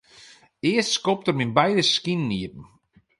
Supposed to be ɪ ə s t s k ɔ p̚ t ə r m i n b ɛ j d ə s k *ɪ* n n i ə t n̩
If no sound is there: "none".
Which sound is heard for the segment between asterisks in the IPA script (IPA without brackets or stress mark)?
i